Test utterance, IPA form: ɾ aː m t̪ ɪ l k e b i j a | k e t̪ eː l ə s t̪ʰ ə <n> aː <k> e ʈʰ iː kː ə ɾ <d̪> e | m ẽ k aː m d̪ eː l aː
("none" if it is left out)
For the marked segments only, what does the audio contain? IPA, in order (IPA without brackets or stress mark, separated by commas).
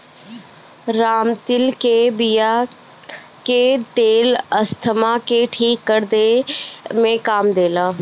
m, k, d̪